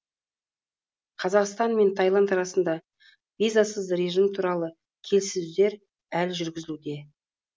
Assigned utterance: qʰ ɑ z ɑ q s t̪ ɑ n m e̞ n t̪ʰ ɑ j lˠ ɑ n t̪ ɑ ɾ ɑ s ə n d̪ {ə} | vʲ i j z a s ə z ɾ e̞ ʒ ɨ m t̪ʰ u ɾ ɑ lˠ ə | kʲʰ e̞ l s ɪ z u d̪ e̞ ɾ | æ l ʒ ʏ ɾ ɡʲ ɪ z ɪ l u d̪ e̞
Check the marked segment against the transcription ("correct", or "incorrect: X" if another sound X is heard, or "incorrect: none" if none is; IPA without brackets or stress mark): incorrect: ɑ